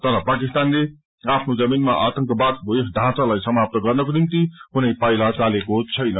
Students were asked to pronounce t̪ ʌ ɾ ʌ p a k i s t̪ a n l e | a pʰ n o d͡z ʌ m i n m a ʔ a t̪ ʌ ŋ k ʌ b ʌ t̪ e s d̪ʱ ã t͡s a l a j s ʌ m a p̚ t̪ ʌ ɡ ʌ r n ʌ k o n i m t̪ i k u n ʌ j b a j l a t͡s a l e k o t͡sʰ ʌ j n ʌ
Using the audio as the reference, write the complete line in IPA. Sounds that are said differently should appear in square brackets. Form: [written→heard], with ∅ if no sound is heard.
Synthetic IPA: t̪ ʌ ɾ ʌ p a k i s t̪ a n l e | a pʰ n o d͡z ʌ m i n m a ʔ a t̪ ʌ ŋ k ʌ b [ʌ→a] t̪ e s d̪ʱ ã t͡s a l a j s ʌ m a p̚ t̪ ʌ ɡ ʌ r n ʌ k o n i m t̪ i k u n ʌ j [b→p] a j l a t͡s a l e k o t͡sʰ ʌ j n ʌ